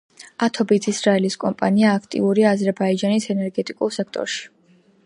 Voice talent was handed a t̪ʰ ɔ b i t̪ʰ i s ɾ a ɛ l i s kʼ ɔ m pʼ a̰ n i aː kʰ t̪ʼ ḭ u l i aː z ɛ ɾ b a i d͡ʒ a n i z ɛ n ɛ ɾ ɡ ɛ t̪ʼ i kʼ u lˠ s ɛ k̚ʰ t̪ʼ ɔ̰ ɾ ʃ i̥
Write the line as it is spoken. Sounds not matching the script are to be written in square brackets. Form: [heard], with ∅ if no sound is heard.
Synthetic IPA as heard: a t̪ʰ ɔ b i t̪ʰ i s ɾ a ɛ l i s kʼ ɔ m pʼ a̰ n i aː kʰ t̪ʼ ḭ u [ɾ] i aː z ɛ ɾ b a i d͡ʒ a n i [s] ɛ n ɛ ɾ ɡ ɛ t̪ʼ i kʼ u lˠ s ɛ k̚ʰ t̪ʼ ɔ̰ ɾ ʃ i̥